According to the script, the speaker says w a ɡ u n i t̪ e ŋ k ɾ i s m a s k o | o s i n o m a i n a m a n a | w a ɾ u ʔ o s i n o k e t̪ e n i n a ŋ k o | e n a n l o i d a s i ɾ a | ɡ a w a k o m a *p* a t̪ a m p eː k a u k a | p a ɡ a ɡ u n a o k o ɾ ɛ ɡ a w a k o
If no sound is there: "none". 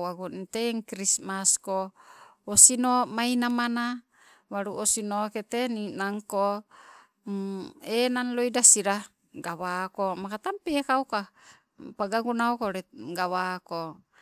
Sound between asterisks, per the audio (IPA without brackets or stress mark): k